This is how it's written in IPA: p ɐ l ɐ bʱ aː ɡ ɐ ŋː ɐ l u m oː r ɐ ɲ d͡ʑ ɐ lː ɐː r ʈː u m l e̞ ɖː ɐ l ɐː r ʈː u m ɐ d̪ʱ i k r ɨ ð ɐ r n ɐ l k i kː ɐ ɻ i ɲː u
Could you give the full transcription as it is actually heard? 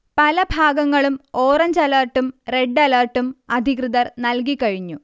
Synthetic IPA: p ɐ l ɐ bʱ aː ɡ ɐ ŋː ɐ ɭ u m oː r ɐ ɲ d͡ʑ ɐ l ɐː r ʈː u m r e̞ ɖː ɐ l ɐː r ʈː u m ɐ d̪ʱ i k r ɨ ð ɐ r n ɐ l k i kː ɐ ɻ i ɲː u